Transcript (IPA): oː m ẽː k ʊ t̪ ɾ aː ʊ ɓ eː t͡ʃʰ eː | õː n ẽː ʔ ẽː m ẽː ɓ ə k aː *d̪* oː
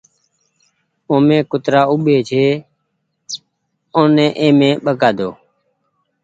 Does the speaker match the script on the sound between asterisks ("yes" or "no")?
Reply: yes